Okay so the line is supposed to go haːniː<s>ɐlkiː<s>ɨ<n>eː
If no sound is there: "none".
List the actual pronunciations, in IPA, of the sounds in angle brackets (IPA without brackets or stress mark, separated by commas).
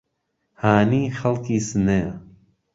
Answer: x, s, n